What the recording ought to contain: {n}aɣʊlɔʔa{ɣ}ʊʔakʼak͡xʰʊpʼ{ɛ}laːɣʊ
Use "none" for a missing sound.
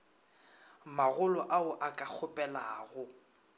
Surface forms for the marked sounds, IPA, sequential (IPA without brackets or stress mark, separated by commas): m, none, ɛ